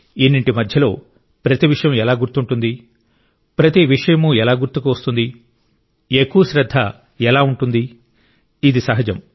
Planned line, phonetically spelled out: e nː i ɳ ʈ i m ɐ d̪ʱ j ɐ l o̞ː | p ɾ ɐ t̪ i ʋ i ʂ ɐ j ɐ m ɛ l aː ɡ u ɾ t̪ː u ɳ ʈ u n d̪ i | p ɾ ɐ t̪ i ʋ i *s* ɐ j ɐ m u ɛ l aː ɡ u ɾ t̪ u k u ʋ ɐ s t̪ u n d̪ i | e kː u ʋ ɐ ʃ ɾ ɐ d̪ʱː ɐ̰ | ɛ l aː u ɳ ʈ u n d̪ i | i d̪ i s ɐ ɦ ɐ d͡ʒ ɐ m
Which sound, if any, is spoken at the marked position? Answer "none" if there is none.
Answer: ʂ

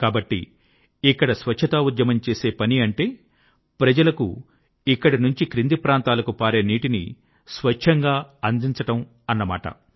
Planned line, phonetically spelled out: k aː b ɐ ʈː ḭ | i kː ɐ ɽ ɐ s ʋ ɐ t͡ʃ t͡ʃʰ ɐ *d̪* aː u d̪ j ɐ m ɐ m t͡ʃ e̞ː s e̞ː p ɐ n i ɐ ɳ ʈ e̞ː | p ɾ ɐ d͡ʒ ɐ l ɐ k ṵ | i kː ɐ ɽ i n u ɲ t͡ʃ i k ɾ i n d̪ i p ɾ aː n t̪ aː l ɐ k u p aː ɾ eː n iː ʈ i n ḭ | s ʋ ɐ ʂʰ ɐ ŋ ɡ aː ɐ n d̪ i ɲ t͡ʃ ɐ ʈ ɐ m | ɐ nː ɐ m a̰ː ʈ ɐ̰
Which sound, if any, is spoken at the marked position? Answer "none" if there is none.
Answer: t̪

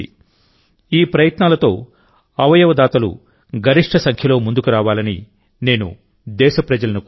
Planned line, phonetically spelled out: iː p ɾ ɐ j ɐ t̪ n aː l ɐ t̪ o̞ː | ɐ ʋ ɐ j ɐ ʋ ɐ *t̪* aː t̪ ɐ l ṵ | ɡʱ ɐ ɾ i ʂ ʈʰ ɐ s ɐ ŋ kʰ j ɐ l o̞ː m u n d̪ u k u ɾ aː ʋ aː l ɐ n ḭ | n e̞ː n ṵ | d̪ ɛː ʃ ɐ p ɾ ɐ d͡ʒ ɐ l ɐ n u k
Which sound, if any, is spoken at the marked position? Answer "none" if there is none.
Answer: d̪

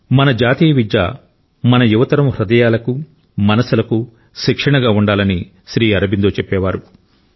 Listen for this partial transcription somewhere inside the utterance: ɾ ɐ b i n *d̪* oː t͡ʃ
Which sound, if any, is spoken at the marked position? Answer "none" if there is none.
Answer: d̪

